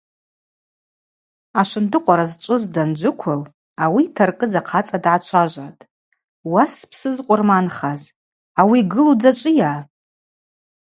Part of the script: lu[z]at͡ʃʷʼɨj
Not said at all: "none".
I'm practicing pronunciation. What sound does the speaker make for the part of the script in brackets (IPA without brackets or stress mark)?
d͡z